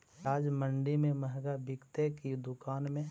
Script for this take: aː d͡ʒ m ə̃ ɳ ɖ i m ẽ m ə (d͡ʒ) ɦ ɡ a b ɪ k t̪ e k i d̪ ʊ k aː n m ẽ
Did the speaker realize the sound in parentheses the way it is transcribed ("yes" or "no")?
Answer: no